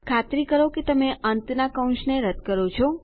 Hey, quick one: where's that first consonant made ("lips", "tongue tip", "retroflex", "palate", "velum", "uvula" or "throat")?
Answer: velum